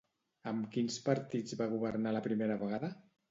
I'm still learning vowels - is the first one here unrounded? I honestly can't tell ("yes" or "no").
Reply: yes